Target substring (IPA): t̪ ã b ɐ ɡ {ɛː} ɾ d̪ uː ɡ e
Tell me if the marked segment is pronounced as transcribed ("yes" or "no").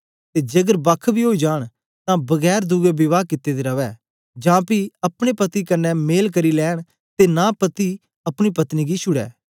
yes